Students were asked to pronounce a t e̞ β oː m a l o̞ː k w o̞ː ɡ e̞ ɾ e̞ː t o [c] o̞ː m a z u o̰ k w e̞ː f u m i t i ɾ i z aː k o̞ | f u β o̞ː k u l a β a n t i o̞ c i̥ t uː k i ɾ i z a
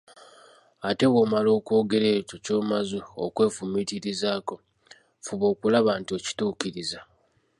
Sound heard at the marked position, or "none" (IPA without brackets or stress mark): c